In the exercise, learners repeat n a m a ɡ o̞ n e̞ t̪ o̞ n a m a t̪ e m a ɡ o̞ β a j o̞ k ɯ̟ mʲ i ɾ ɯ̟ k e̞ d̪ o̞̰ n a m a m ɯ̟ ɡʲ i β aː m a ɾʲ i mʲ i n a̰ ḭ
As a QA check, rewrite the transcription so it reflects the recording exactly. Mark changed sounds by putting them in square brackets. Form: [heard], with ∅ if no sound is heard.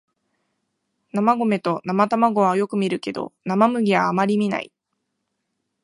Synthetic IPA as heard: n a m a ɡ o̞ [m] e̞ t̪ o̞ n a m a t̪ [a] m a ɡ o̞ β a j o̞ k ɯ̟ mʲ i ɾ ɯ̟ k e̞ d̪ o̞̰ n a m a m ɯ̟ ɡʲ i β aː m a ɾʲ i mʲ i n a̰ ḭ